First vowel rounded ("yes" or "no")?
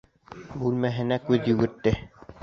yes